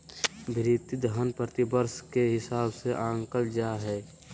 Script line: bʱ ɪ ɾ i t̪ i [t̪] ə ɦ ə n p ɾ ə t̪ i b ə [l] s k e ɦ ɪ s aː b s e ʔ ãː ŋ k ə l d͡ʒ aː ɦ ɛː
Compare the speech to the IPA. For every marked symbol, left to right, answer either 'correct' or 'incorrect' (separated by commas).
incorrect, incorrect